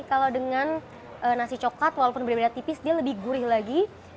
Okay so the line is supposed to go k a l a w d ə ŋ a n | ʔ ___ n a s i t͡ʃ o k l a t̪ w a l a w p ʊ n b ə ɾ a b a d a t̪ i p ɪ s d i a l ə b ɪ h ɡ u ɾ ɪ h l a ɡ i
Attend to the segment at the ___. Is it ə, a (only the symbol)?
ə